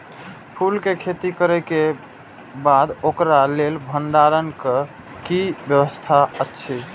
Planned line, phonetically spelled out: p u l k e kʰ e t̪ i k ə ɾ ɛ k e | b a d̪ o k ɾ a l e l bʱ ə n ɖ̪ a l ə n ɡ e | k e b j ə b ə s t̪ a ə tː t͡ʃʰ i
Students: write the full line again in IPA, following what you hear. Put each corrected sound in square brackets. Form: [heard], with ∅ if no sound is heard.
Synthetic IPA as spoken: [pʰ] u l k e kʰ e t̪ i k ə ɾ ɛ k e | b a d̪ o k ɾ a l e l bʱ ə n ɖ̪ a [ɾ] ə n [k] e | k [i] b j ə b ə s [t̪ʰ] a ə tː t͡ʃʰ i